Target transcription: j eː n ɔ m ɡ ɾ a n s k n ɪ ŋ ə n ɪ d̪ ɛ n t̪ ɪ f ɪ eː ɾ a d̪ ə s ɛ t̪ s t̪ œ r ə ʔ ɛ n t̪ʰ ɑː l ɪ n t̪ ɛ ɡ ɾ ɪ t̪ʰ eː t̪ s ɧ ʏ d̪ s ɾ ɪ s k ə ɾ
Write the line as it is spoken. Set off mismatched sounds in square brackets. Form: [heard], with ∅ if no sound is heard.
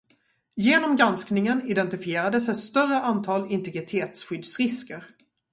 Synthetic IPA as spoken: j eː n ɔ m ɡ ɾ a n s k n ɪ ŋ ə n ɪ d̪ ɛ n t̪ ɪ f ɪ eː ɾ a d̪ ə s ɛ t̪ s t̪ œ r ə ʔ [a] n t̪ʰ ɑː l ɪ n t̪ ɛ ɡ ɾ ɪ t̪ʰ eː t̪ s ɧ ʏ d̪ s ɾ ɪ s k ə ɾ